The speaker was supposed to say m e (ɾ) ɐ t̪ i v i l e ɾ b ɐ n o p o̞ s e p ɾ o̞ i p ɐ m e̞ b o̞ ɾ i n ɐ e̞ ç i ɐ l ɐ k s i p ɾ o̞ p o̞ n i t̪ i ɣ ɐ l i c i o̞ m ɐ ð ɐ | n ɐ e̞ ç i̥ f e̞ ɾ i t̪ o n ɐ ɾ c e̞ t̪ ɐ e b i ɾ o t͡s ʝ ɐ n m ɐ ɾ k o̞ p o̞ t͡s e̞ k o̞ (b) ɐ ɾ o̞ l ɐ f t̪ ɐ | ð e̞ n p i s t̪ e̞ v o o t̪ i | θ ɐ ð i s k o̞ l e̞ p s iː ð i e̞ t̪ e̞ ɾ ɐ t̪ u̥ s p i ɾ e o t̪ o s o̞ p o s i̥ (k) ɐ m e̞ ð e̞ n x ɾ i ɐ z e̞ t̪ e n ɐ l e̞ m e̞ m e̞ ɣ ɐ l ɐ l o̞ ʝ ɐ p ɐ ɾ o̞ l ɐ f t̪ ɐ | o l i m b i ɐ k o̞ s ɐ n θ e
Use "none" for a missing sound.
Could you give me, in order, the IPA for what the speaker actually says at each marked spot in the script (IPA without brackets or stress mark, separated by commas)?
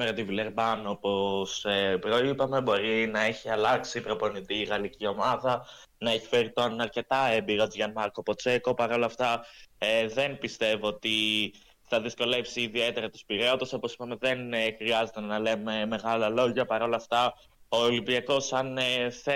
ɾ, p, p